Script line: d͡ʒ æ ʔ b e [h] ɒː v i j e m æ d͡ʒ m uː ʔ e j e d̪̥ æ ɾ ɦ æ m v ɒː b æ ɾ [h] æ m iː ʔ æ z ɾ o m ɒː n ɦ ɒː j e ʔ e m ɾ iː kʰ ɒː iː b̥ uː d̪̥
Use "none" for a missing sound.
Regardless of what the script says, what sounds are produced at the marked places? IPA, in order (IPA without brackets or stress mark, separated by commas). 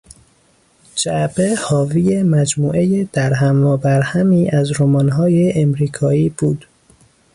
h, h